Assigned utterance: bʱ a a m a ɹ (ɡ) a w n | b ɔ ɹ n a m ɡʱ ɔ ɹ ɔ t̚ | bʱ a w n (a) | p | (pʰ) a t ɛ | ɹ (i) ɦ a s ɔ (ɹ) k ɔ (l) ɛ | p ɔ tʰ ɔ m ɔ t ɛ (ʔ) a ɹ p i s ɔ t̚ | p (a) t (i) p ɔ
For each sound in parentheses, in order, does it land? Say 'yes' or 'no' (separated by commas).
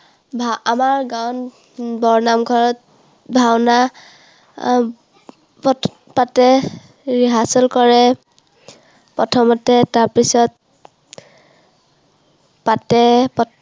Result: yes, yes, no, yes, no, no, no, yes, no